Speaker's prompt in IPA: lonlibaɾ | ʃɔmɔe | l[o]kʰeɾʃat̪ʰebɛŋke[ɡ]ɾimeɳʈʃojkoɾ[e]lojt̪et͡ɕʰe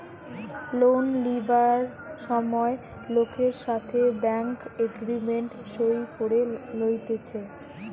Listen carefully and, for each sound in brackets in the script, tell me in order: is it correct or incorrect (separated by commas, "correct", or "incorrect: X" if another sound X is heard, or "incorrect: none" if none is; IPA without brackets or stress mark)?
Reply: correct, correct, correct